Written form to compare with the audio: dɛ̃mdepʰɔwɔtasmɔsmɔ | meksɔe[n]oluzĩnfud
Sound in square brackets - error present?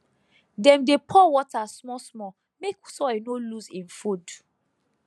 no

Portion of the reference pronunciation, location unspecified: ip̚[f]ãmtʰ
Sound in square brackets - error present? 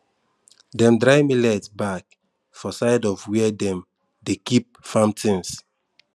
no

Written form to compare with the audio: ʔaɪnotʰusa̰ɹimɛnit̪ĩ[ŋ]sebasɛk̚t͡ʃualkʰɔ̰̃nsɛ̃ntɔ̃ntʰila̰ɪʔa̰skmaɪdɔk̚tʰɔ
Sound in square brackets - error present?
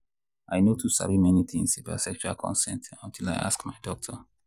no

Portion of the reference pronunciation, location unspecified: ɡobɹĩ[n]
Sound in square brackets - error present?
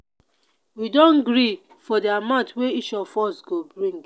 yes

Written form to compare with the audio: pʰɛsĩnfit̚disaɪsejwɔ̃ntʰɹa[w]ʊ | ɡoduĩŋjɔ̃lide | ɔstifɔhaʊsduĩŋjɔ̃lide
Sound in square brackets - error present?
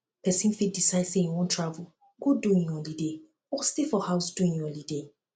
yes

